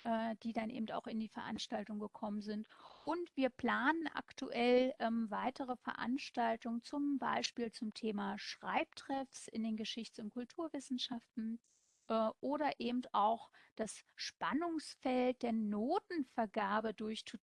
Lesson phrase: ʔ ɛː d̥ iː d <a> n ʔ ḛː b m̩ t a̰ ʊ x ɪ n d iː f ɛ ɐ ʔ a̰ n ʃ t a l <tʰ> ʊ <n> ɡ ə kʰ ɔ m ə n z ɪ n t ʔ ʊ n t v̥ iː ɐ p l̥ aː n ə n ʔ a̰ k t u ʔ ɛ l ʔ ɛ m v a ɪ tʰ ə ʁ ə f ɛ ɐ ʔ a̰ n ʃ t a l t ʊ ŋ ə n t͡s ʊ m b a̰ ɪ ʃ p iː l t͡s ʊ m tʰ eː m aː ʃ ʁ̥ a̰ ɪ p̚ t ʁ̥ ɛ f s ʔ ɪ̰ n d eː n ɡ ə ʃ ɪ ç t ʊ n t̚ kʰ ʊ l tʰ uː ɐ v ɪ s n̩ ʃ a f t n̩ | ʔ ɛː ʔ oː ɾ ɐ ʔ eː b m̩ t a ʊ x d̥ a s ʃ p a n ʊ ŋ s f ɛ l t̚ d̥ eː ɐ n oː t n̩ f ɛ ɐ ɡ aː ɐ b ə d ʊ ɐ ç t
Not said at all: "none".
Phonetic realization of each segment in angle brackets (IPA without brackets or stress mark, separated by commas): a, t, ŋ